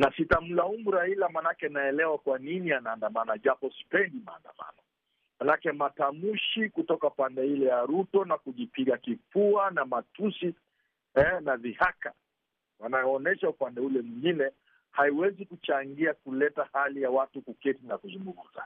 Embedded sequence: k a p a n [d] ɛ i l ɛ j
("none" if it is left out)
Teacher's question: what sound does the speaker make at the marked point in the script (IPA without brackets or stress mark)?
d